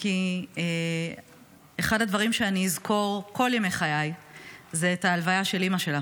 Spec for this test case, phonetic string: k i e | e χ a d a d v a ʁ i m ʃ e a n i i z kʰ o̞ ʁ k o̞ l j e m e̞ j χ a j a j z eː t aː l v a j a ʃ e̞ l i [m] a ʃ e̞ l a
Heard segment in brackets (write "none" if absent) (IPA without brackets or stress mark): m